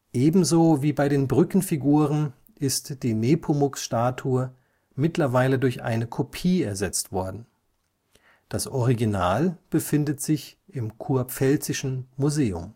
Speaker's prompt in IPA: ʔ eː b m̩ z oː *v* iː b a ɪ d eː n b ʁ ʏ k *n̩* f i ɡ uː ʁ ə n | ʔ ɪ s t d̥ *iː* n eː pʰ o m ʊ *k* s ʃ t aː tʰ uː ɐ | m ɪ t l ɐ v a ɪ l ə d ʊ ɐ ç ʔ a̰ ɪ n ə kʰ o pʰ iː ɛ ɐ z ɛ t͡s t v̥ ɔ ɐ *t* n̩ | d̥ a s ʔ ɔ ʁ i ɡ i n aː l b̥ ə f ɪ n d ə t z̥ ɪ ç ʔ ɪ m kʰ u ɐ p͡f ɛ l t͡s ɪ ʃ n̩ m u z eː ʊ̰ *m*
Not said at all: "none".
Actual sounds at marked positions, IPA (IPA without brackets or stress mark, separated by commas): v, n̩, iː, k, d, m